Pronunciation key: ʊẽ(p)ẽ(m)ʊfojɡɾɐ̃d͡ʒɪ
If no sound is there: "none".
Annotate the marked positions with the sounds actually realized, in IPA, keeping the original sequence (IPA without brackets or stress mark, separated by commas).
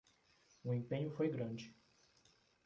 p, ɲ